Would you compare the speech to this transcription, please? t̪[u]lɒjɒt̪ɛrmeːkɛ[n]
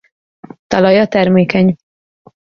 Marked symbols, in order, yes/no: no, no

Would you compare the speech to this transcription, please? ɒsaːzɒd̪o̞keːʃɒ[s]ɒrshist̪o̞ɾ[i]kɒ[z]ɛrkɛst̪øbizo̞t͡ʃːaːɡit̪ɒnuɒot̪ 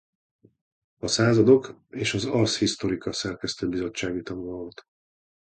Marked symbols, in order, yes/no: no, yes, no

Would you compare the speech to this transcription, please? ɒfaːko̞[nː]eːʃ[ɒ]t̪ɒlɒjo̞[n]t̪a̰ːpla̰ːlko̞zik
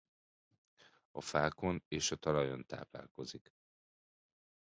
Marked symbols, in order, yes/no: no, yes, yes

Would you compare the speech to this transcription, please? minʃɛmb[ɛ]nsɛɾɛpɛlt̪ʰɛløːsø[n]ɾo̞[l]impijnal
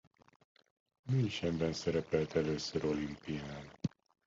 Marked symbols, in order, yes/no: yes, no, yes

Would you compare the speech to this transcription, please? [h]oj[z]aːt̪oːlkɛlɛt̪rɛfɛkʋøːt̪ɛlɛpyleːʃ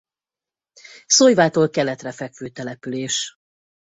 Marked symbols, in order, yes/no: no, no

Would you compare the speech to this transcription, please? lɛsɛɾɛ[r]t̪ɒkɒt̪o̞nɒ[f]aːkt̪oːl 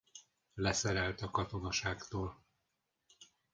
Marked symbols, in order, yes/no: no, no

